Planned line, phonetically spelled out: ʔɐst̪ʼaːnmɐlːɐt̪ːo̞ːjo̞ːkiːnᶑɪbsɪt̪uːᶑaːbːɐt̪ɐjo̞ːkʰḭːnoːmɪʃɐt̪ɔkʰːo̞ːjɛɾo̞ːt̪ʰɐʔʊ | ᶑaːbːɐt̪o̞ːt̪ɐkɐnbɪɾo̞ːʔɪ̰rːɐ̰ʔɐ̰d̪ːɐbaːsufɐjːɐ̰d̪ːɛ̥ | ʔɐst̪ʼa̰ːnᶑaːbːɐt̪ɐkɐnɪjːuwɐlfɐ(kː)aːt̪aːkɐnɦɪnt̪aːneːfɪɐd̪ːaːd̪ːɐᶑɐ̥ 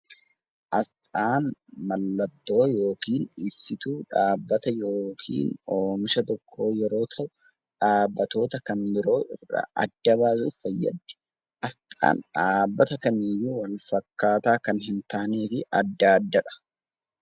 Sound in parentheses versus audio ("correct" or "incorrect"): correct